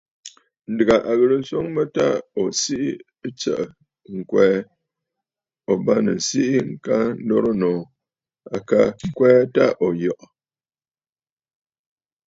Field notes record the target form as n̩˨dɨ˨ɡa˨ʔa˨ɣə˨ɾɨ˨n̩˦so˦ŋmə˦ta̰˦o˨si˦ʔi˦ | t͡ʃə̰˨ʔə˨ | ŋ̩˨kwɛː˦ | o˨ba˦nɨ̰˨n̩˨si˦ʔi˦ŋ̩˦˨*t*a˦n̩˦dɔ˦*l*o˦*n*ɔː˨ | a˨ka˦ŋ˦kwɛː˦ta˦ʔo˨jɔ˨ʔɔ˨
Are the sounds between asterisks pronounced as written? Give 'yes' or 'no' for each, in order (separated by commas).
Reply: no, no, yes